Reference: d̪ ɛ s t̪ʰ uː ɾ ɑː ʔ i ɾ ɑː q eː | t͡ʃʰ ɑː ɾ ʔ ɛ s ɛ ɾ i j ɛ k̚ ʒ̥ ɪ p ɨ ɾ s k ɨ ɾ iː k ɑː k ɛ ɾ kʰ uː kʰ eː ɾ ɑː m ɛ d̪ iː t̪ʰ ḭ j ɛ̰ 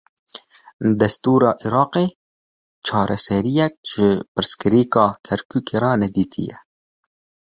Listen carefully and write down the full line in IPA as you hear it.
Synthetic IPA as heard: d̪ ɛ s t̪ uː ɾ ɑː ʔ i ɾ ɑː q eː | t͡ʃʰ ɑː ɾ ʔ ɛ s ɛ ɾ i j ɛ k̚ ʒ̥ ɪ p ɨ ɾ s k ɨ ɾ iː k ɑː kʰ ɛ ɾ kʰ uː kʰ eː ɾ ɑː n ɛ d̪ iː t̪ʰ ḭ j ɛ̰